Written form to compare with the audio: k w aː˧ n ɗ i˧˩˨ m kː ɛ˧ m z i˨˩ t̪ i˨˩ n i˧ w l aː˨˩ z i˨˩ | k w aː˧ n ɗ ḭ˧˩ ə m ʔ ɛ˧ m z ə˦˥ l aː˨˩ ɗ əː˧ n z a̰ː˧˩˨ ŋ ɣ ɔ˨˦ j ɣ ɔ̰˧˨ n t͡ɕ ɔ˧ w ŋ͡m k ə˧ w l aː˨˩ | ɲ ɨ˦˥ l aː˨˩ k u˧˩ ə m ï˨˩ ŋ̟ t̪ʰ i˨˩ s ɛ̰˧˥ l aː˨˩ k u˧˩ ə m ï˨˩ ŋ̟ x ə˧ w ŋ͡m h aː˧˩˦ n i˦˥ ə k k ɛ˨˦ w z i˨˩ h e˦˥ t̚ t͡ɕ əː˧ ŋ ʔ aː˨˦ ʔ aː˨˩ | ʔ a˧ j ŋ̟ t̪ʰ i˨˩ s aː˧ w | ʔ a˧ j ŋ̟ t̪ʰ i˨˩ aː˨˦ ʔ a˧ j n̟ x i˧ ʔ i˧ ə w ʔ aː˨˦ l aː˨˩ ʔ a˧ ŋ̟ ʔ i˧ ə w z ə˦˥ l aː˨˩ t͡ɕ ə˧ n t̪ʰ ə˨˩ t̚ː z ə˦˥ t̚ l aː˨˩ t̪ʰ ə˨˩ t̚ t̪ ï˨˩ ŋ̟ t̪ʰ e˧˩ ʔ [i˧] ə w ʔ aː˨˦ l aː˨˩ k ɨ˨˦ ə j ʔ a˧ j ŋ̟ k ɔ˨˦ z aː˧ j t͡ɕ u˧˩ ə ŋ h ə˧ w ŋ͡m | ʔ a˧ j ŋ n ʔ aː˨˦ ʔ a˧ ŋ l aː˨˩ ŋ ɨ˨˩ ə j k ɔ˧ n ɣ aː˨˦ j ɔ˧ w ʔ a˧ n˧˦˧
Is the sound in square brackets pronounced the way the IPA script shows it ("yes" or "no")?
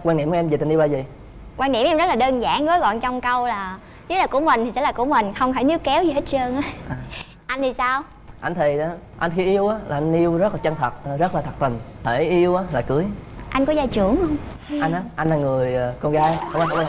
yes